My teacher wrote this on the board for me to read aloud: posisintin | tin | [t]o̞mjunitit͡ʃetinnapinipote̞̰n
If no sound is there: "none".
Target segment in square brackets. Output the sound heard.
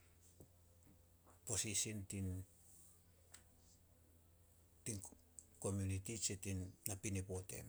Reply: k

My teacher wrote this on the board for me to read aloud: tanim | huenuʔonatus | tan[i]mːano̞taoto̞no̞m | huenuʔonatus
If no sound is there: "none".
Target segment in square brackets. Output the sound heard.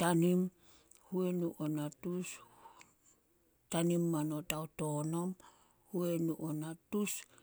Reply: i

